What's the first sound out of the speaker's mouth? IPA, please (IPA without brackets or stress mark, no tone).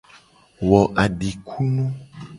w